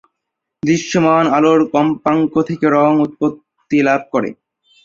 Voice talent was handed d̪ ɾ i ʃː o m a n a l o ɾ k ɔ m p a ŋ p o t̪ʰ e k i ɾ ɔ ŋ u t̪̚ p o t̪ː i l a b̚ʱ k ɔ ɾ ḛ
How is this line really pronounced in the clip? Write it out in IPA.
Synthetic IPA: d̪ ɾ i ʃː o m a n a l o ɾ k ɔ m p a ŋ k o t̪ʰ e k e ɾ ɔ ŋ u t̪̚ p o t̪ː i l a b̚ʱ k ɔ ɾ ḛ